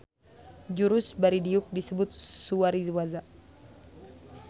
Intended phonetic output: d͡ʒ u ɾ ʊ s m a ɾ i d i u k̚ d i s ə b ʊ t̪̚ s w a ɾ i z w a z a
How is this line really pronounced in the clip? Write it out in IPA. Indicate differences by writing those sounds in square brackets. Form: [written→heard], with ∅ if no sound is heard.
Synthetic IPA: d͡ʒ u ɾ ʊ s [m→b] a ɾ i d i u k̚ d i s ə b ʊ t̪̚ s [w→u] a ɾ i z w a z a